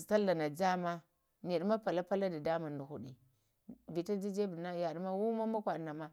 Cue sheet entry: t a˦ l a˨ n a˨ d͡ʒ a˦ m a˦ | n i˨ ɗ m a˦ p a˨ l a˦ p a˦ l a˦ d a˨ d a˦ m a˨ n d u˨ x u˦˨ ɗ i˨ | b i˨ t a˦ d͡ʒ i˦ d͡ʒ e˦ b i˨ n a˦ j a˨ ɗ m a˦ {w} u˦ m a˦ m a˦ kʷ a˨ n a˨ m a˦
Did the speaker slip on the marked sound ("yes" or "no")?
no